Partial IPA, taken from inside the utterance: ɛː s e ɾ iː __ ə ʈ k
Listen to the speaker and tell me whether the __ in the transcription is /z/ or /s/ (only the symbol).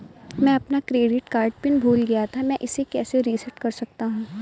s